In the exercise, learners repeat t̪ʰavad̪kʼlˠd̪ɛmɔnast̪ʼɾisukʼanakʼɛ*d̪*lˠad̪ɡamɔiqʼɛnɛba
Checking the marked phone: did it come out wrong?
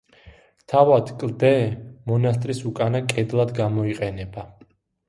no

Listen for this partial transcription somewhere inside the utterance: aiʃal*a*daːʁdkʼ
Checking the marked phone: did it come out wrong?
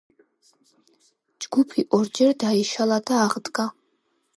no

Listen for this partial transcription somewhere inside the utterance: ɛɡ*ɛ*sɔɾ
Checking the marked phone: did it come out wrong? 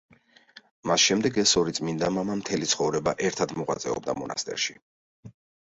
no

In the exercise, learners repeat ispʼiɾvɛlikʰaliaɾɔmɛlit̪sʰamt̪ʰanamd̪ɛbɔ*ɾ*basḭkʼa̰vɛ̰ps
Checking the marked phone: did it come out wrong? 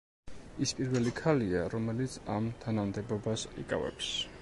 yes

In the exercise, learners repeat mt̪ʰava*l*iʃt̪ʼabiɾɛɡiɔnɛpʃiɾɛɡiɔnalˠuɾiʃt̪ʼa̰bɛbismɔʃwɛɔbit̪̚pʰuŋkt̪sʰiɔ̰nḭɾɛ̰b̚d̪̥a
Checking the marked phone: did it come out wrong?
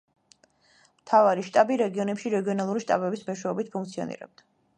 yes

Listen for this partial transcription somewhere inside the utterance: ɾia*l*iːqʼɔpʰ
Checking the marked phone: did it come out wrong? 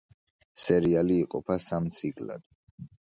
no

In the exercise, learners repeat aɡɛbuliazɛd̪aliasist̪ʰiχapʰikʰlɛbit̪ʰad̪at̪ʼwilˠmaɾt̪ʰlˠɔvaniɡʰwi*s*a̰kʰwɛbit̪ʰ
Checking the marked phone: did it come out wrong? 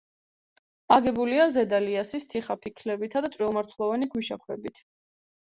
yes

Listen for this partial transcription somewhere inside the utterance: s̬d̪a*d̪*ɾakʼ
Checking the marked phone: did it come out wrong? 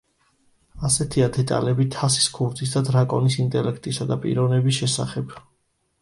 no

